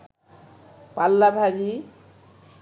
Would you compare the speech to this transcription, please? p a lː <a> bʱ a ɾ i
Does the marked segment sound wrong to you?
no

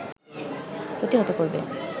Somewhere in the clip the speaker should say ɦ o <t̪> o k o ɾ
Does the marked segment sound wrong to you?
no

